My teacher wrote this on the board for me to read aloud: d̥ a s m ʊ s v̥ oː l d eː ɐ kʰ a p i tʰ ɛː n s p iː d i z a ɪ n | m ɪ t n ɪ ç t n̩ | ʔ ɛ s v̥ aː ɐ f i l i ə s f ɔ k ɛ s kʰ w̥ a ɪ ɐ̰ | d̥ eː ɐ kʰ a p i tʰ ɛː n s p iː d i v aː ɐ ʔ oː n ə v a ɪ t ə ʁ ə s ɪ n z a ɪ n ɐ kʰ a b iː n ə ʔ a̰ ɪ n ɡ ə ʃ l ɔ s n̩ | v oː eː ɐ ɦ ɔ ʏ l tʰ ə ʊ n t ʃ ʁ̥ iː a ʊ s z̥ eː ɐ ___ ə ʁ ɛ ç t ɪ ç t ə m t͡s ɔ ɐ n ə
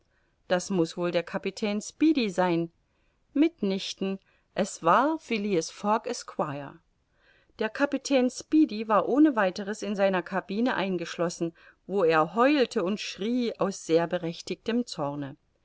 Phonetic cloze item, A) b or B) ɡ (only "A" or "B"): A